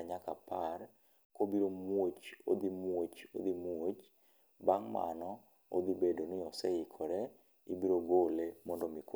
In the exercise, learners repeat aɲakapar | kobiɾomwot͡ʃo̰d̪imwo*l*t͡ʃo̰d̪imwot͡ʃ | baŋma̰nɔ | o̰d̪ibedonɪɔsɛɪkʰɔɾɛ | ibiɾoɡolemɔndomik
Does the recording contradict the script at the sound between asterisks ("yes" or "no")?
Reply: yes